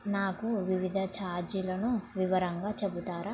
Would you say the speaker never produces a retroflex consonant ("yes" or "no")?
yes